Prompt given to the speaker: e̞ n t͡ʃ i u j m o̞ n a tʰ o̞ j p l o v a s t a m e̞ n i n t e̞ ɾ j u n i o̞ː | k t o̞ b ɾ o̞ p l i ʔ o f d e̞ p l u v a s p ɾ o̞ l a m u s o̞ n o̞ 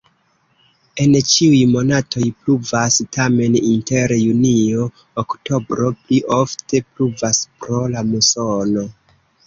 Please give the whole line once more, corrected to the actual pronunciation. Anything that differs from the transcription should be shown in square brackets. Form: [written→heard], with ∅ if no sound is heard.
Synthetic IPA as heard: e̞ n t͡ʃ i u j m o̞ n a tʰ o̞ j p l [o→u] v a s t a m e̞ n i n t e̞ ɾ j u n i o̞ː | k t o̞ b ɾ o̞ p l i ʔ o f [d→t] e̞ p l u v a s p ɾ o̞ l a m u s o̞ n o̞